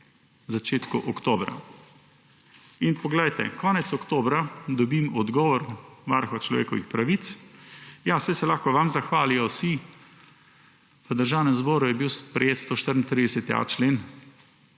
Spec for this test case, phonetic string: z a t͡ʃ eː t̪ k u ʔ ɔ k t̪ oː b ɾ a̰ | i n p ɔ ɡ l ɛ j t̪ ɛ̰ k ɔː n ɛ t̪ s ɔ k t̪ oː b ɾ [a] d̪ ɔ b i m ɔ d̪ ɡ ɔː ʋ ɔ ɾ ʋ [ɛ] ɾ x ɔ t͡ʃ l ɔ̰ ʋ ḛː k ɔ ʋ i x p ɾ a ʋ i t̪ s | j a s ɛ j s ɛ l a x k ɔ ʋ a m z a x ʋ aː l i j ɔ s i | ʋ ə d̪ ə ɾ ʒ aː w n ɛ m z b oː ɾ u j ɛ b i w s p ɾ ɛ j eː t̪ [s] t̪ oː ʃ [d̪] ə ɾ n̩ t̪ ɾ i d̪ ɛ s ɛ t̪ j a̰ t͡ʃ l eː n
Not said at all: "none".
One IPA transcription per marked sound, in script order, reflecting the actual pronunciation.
a, a, s, t̪

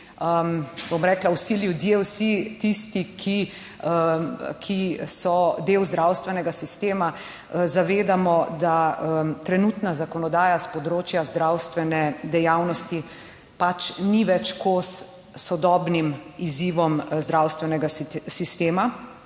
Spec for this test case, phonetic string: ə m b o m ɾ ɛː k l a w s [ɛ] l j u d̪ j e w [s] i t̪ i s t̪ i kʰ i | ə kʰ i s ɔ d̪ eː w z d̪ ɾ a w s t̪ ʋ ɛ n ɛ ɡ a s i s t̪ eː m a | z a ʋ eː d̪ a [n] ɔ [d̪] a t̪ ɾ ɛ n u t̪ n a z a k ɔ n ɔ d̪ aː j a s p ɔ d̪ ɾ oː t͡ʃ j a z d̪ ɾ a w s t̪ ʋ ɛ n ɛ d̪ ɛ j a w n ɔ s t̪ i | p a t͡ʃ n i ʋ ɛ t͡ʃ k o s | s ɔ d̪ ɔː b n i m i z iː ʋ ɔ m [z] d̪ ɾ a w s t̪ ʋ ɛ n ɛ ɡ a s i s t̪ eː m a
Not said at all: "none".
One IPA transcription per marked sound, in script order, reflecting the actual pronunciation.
i, s, m, d̪, z

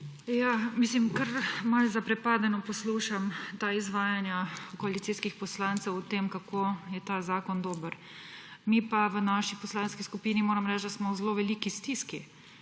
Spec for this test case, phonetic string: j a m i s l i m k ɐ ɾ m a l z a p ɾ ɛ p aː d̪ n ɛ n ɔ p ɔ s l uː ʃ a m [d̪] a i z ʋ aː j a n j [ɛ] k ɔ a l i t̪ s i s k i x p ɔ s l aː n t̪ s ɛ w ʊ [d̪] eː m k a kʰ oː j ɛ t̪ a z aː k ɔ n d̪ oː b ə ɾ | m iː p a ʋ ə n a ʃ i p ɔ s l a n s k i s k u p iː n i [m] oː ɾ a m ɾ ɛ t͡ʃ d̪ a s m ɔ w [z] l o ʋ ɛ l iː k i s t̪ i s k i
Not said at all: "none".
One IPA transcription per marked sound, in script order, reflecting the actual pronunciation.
t̪, a, t̪, m, z

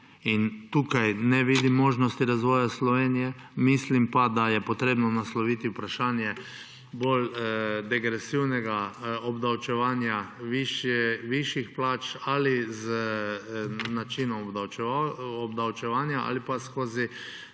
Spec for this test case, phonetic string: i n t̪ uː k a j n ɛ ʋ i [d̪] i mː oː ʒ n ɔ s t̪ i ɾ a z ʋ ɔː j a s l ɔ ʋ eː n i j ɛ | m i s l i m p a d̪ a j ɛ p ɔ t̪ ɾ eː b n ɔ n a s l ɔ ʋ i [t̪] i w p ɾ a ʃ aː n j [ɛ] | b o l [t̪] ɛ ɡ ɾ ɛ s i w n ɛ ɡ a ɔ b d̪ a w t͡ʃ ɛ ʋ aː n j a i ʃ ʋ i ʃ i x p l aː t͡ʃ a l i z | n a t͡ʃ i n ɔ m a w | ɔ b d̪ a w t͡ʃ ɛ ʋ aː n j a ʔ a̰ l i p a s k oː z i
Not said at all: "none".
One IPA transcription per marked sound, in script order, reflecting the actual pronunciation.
d̪, t̪, ɛ, d̪

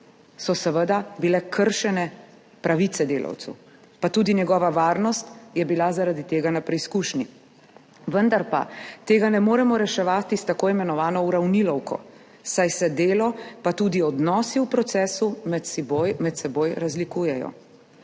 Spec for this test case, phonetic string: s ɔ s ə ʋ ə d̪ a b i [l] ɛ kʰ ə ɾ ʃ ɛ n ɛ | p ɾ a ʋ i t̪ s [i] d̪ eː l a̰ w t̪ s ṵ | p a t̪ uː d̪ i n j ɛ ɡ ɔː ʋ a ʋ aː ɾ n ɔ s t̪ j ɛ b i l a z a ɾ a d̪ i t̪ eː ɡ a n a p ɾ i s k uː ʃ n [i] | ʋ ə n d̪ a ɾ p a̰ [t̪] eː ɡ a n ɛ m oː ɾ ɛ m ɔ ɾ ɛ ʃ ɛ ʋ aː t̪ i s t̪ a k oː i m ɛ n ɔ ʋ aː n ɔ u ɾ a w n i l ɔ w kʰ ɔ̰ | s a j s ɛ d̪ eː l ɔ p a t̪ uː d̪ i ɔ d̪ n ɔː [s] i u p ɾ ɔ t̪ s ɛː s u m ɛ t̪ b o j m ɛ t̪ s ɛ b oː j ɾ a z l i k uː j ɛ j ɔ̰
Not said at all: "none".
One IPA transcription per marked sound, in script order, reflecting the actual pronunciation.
l, ɛ, i, t̪, s

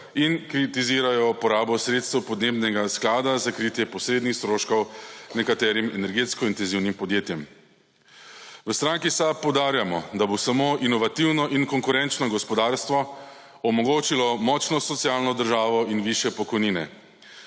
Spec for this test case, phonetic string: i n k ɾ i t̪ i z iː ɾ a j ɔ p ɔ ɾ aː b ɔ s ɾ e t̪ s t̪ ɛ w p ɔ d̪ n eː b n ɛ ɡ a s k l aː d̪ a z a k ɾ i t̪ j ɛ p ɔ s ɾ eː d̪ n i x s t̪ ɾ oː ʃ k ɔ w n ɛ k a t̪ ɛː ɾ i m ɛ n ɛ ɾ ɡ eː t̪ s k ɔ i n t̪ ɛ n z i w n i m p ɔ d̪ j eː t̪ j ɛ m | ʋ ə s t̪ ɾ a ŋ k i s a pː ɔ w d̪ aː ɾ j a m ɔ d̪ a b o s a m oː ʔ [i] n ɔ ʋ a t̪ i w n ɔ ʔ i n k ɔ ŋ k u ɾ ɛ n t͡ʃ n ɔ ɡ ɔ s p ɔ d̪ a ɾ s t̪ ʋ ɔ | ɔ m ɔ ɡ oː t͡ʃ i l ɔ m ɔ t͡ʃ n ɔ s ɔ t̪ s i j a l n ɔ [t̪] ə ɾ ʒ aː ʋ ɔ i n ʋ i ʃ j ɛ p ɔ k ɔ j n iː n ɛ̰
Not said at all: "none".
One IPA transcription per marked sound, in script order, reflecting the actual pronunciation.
i, d̪

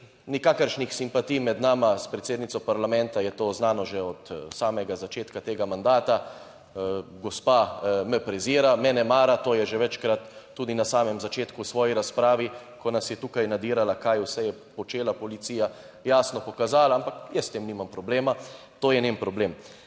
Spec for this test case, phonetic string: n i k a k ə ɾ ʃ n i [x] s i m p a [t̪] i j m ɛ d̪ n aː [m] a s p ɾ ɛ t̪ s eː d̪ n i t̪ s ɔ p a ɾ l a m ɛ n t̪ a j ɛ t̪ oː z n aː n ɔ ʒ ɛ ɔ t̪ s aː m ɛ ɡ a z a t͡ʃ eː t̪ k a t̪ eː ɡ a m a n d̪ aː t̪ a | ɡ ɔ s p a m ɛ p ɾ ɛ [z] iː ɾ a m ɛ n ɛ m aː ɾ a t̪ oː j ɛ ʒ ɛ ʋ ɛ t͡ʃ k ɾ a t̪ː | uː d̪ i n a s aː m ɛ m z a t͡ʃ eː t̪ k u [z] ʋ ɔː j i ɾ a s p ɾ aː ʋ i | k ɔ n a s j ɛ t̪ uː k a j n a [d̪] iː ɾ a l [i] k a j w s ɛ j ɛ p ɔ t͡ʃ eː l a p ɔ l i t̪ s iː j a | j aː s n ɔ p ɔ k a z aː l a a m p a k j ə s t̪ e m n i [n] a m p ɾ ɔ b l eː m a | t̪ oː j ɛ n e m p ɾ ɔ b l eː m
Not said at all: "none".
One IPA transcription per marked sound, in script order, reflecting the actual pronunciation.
x, t̪, m, z, s, d̪, a, m

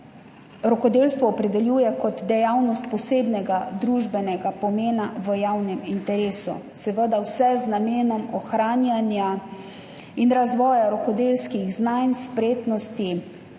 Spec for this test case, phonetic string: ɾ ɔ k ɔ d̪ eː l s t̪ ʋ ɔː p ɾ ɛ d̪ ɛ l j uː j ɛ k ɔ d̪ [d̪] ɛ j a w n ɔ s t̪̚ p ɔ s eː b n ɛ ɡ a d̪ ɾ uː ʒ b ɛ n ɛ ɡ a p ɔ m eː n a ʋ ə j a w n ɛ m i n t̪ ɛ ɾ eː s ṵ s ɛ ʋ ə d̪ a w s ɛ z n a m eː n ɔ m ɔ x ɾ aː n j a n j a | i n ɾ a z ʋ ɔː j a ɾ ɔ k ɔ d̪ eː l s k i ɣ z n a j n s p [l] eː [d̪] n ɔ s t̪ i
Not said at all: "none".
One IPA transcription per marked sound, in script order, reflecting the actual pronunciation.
d̪, ɾ, t̪

